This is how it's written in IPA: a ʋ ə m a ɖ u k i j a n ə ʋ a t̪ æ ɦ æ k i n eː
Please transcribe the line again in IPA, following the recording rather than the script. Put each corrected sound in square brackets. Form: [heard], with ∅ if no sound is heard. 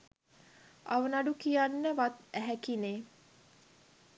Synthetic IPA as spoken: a ʋ ə [n] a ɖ u k i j a [nː] ə ʋ a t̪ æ ɦ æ k i n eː